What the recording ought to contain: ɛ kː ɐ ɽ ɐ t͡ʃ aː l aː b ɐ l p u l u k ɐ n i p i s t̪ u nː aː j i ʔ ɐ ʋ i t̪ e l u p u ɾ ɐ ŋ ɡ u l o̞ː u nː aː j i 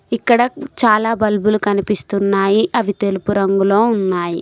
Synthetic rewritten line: i kː ɐ ɽ ɐ t͡ʃ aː l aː b ɐ l b u l u k ɐ n i p i s t̪ u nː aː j i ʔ ɐ ʋ i t̪ e l u p u ɾ ɐ ŋ ɡ u l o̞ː u nː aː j i